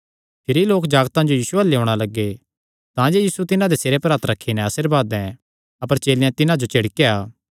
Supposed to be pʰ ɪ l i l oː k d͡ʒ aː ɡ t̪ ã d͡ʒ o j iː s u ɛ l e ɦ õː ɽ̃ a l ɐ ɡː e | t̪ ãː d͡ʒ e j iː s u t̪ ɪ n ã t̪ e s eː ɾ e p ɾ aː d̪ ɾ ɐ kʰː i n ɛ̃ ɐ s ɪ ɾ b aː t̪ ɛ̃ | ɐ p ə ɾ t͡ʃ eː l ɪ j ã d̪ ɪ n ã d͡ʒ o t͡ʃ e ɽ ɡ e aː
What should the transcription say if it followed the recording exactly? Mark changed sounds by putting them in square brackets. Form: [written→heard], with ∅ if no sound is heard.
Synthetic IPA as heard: pʰ ɪ [l→ɾ] i l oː k d͡ʒ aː ɡ t̪ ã d͡ʒ o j iː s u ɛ l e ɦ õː ɽ̃ a l ɐ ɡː e | t̪ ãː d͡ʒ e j iː s u t̪ ɪ n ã [t̪→d̪] e s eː ɾ e p ɾ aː [d̪→t̪] ɾ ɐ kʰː i n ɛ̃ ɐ s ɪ ɾ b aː [t̪→d̪] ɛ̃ | ɐ p ə ɾ t͡ʃ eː l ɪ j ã [d̪→t̪] ɪ n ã d͡ʒ o t͡ʃ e ɽ [ɡ→k] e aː